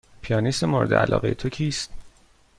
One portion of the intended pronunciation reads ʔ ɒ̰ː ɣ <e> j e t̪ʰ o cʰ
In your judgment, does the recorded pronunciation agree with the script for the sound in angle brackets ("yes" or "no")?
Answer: yes